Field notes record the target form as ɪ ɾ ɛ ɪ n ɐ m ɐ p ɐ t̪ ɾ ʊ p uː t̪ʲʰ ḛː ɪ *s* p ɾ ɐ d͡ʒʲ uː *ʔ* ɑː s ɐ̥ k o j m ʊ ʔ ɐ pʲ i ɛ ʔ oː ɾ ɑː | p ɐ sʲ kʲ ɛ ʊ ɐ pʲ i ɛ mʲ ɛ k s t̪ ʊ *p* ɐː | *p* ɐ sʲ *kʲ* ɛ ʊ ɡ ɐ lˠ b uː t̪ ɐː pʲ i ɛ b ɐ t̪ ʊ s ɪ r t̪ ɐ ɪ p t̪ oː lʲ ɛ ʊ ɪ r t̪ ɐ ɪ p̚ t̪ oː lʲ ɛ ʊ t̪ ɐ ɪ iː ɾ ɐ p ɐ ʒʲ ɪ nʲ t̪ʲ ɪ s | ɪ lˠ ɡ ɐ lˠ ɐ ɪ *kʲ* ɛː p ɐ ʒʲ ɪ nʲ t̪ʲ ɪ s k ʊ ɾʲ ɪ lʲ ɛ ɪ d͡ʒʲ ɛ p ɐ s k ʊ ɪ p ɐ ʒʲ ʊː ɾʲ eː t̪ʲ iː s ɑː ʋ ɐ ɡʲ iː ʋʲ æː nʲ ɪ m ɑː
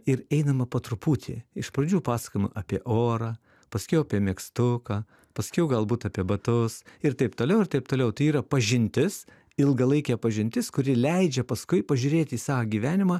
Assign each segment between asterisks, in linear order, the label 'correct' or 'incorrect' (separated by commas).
incorrect, incorrect, incorrect, correct, correct, correct